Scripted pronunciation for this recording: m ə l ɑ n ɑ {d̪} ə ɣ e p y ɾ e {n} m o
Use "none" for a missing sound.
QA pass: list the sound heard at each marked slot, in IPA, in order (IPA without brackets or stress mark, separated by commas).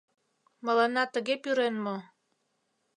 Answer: t̪, n